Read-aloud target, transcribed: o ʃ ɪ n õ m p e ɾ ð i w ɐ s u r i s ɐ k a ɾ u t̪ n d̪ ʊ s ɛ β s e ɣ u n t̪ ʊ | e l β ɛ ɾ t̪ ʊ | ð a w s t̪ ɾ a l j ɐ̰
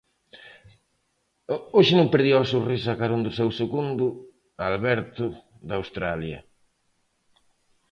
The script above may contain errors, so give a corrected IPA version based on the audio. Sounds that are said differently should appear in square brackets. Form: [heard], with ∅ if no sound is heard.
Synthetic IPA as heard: o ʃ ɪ n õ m p e ɾ ð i w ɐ s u r i s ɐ k a ɾ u [∅] n d̪ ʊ s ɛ [w] s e ɣ u n [d̪] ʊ | [a] l β ɛ ɾ t̪ ʊ | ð a w s t̪ ɾ a l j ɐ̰